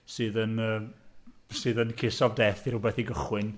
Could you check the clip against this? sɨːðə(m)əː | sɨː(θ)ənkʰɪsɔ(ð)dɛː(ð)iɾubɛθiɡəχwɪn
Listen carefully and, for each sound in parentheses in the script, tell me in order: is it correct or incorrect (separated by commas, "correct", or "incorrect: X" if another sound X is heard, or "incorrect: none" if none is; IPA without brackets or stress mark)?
incorrect: n, incorrect: ð, incorrect: v, incorrect: θ